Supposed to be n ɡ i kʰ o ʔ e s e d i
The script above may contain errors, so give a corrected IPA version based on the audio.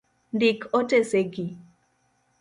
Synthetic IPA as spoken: n d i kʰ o t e s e ɡ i